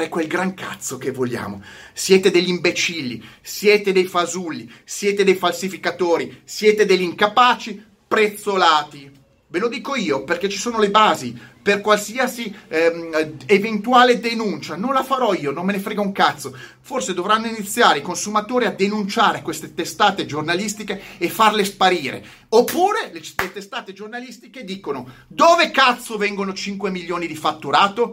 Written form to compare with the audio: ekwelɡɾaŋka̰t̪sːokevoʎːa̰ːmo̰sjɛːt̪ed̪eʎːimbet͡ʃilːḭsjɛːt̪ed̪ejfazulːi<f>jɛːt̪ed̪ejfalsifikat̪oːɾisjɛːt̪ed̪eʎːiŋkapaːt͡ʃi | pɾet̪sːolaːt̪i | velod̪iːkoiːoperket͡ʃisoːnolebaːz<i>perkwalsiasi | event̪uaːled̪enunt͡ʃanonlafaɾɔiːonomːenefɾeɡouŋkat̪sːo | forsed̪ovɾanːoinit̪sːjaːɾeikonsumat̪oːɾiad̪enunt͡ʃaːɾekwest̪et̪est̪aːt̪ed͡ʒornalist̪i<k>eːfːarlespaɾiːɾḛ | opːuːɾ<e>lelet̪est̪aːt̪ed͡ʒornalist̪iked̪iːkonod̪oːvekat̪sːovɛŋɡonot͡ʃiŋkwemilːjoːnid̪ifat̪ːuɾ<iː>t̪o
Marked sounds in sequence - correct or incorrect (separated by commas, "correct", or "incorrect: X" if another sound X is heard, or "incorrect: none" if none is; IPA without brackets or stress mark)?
incorrect: s, correct, correct, correct, incorrect: aː